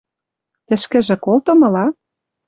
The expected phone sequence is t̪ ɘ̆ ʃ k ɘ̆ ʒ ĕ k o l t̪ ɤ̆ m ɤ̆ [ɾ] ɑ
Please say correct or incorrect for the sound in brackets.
incorrect